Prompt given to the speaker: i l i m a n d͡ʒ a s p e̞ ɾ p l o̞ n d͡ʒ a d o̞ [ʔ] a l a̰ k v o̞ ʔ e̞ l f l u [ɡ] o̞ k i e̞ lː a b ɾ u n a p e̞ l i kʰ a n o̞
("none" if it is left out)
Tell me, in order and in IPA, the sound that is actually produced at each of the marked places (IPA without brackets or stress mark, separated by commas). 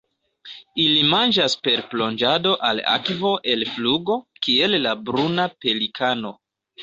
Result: ʔ, ɡ